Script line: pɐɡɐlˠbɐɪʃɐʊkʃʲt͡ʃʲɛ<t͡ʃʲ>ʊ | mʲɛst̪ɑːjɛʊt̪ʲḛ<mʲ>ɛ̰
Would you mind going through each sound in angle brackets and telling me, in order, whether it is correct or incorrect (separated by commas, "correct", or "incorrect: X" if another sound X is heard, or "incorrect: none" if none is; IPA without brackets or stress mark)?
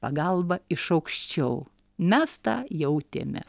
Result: incorrect: none, correct